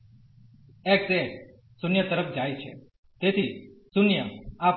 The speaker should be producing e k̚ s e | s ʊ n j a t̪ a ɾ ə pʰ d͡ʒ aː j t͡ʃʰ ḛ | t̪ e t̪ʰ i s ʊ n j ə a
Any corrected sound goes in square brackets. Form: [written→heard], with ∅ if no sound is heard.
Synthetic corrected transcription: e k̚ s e | s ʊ n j [a→ə] t̪ [a→ə] ɾ ə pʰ d͡ʒ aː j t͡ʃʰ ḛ | t̪ e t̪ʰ i s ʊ n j ə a